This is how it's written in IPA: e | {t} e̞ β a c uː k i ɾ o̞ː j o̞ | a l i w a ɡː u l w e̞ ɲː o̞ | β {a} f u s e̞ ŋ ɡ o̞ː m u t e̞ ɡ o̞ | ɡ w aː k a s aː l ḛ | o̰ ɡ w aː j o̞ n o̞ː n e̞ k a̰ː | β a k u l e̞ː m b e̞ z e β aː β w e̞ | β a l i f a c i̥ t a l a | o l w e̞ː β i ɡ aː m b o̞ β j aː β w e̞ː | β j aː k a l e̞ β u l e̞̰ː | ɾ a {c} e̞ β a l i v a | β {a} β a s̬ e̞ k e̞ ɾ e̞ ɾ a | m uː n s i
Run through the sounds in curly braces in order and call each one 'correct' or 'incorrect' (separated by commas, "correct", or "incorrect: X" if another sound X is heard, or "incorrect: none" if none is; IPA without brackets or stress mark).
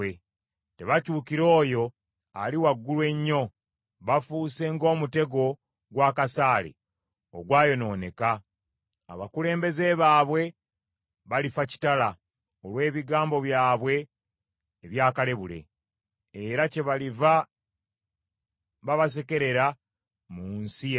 correct, correct, correct, correct